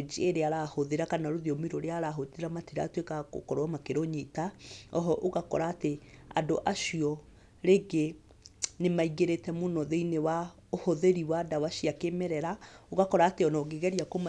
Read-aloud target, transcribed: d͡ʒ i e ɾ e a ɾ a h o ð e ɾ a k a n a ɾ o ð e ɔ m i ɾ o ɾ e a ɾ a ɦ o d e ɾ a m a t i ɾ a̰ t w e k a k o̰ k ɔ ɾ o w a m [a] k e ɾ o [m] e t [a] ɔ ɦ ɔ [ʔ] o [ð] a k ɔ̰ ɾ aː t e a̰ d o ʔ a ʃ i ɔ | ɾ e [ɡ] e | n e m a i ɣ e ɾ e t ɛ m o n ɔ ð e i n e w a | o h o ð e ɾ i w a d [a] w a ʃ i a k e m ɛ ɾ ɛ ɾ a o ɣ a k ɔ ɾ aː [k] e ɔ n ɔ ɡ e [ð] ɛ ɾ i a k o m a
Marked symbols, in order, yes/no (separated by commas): yes, no, yes, yes, no, yes, yes, no, no